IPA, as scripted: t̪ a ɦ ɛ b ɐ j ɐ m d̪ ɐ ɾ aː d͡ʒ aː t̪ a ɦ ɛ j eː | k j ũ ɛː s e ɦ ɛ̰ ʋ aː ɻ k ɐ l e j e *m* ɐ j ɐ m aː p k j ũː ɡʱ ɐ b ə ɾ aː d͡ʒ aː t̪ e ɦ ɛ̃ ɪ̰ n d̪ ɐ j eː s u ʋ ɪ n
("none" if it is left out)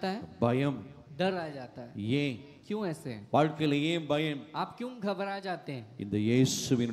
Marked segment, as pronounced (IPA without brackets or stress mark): b